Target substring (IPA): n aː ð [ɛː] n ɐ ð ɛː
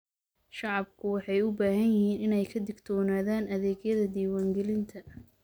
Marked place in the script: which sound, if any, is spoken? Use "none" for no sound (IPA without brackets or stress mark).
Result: aː